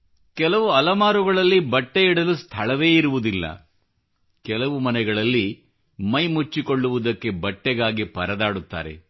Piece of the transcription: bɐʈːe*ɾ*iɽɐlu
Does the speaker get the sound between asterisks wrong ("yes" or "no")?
yes